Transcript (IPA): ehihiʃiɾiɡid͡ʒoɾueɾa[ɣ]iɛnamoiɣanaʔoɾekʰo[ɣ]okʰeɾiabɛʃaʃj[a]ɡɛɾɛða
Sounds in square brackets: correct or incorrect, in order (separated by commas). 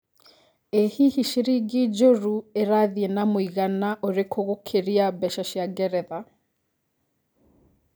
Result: incorrect, correct, correct